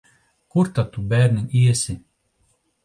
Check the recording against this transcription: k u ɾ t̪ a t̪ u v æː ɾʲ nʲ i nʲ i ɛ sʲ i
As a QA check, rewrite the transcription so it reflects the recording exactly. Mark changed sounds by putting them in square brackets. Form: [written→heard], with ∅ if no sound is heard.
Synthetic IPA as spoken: k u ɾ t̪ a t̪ u [v→b] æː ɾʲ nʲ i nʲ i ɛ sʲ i